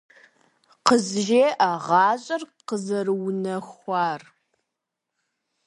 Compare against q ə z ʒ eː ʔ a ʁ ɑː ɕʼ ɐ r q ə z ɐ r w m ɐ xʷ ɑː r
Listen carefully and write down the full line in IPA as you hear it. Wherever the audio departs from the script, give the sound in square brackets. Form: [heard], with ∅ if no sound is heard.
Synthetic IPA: q ə z ʒ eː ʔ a ʁ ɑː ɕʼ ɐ r q ə z ɐ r w [n] ɐ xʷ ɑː r